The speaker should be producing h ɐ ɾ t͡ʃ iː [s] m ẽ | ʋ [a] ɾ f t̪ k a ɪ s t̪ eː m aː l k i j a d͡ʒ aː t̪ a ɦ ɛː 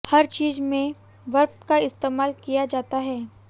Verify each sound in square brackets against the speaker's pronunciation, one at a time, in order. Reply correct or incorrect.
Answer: incorrect: z, incorrect: ɐ

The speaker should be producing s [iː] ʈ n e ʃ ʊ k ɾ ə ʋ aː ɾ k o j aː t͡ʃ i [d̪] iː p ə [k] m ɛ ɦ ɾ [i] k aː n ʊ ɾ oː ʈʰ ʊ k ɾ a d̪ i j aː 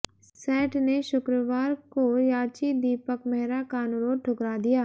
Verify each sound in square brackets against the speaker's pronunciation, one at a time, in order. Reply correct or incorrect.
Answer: incorrect: ɛː, correct, correct, incorrect: a

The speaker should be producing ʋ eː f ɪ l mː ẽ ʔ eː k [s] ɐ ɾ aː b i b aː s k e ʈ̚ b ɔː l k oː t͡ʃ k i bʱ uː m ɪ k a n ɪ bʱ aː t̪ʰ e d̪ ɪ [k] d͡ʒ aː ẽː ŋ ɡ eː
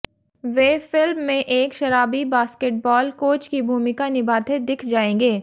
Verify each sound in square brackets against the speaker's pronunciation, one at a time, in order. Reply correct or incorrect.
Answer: incorrect: ʃ, incorrect: kʰ

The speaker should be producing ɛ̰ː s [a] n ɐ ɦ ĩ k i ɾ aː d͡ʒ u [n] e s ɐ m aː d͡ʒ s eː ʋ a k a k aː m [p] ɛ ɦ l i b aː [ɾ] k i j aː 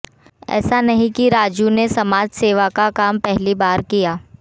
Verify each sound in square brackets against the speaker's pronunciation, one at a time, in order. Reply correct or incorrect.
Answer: correct, correct, correct, correct

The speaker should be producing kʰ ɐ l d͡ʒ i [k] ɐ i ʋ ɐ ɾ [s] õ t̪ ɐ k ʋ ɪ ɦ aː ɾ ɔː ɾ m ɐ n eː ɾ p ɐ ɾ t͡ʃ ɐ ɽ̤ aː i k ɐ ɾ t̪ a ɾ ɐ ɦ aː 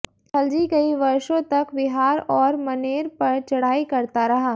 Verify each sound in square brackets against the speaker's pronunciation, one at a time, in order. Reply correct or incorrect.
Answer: correct, incorrect: ʃ

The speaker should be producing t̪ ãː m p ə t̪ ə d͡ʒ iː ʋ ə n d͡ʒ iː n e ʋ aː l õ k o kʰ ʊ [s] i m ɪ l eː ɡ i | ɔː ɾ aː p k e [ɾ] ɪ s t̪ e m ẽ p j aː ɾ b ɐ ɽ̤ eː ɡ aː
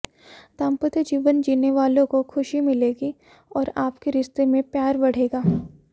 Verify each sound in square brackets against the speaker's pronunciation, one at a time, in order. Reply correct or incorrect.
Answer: incorrect: ʃ, correct

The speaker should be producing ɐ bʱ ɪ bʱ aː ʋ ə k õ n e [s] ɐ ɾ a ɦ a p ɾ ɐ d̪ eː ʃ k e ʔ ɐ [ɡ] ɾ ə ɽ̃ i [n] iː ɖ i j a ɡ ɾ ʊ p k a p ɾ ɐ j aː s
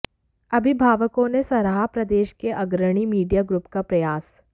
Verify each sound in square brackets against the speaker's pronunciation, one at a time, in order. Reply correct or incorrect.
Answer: correct, correct, incorrect: m

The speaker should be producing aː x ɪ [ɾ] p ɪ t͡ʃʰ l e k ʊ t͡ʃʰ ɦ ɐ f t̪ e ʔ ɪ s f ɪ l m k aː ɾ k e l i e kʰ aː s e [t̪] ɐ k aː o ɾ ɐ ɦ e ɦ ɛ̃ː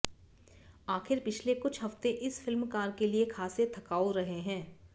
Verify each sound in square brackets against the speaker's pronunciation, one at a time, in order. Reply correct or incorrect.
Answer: correct, incorrect: t̪ʰ

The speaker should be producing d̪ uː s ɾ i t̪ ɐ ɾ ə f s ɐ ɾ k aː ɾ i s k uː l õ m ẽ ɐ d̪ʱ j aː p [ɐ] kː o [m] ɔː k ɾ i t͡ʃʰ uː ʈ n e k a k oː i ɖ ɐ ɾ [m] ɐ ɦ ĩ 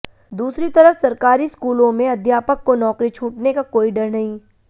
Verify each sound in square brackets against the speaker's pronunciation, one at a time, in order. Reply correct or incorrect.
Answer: incorrect: ə, incorrect: n, incorrect: n

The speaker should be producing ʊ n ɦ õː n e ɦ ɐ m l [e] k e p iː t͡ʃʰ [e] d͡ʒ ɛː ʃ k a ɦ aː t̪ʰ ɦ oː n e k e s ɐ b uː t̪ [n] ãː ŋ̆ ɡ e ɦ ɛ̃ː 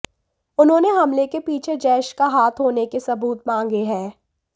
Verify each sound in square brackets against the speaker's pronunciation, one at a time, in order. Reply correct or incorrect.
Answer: correct, correct, incorrect: m

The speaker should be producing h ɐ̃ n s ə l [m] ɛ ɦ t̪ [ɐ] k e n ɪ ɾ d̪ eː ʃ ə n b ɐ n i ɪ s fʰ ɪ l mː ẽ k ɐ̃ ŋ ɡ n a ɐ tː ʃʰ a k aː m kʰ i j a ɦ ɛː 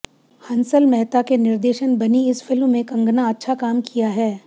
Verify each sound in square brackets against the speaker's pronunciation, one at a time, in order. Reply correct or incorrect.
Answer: correct, incorrect: a

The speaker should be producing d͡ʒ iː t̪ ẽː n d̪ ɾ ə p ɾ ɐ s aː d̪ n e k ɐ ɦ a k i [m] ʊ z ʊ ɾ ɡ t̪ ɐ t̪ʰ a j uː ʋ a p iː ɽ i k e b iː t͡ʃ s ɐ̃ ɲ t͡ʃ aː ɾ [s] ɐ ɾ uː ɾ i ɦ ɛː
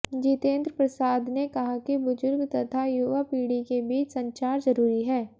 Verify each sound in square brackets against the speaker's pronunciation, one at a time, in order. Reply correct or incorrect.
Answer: incorrect: b, incorrect: z

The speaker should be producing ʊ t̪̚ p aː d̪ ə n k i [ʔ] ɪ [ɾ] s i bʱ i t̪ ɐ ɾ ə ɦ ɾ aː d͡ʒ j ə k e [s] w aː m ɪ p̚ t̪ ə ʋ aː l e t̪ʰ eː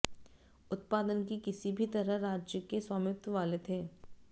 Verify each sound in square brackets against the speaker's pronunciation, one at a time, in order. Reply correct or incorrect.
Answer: incorrect: k, incorrect: none, correct

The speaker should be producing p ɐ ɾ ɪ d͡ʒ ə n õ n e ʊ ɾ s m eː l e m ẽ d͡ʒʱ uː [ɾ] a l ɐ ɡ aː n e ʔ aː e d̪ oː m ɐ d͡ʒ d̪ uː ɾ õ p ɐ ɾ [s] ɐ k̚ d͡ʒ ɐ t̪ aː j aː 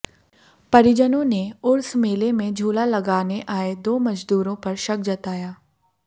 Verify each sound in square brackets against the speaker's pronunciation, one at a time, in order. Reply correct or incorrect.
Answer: incorrect: l, incorrect: ʃ

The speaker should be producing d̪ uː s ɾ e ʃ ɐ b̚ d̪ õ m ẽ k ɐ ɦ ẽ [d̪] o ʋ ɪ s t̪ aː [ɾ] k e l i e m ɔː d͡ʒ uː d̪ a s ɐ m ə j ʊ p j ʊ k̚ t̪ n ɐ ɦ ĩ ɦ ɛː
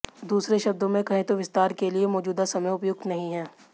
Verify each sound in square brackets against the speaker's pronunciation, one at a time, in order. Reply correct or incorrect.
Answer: incorrect: t̪, correct

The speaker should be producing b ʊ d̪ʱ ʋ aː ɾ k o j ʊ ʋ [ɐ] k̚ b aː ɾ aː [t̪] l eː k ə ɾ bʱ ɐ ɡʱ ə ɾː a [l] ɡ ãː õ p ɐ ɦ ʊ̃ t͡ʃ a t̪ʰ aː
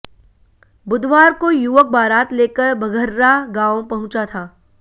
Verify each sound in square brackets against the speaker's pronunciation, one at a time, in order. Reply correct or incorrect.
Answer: incorrect: ə, correct, incorrect: none

